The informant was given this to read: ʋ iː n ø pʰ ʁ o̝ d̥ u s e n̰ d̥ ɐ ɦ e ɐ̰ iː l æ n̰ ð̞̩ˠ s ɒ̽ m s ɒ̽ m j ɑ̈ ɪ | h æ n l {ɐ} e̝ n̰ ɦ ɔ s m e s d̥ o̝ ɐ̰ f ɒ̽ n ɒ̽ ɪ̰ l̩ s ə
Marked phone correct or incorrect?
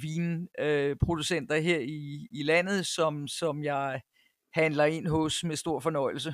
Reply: correct